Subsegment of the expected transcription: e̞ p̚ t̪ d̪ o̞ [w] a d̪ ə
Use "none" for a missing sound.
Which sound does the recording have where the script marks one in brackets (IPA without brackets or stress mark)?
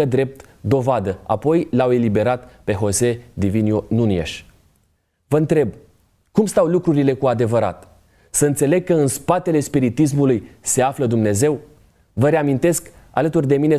v